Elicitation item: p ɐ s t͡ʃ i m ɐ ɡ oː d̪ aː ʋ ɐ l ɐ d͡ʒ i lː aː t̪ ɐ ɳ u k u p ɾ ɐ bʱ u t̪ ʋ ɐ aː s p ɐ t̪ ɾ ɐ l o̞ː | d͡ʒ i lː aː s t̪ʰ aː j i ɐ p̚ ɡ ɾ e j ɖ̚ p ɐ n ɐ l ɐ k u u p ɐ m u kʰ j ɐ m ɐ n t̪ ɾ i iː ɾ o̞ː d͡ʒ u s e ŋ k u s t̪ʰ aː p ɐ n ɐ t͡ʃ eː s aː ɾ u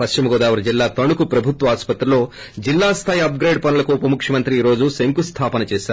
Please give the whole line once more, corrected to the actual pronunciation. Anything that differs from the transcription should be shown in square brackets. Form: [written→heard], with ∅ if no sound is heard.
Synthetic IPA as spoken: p ɐ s t͡ʃ i m ɐ ɡ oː d̪ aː ʋ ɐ [l→ɾ] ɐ d͡ʒ i lː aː t̪ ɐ ɳ u k u p ɾ ɐ bʱ u t̪ ʋ ɐ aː s p ɐ t̪ ɾ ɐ l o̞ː | d͡ʒ i lː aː s t̪ʰ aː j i ɐ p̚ ɡ ɾ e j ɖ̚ p ɐ n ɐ l ɐ k u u p ɐ m u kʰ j ɐ m ɐ n t̪ ɾ i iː ɾ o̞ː d͡ʒ u s e ŋ k u s t̪ʰ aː p ɐ n ɐ t͡ʃ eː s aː ɾ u